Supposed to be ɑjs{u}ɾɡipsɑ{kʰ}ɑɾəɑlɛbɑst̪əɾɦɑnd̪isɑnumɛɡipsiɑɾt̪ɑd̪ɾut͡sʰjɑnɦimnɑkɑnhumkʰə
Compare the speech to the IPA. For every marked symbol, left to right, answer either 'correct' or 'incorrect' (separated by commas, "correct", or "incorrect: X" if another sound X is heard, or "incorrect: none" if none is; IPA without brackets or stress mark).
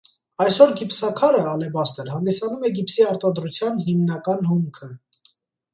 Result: incorrect: ɔ, correct